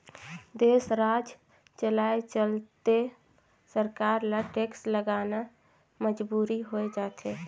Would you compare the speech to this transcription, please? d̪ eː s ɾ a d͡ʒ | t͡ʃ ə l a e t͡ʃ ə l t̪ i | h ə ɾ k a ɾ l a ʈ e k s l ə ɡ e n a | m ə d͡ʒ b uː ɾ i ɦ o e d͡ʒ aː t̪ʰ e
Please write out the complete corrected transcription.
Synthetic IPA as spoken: d̪ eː s ɾ a d͡ʒ | t͡ʃ ə l a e t͡ʃ ə l t̪ e | s ə ɾ k a ɾ l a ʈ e k s l ə ɡ a n a | m ə d͡ʒ b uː ɾ i ɦ o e d͡ʒ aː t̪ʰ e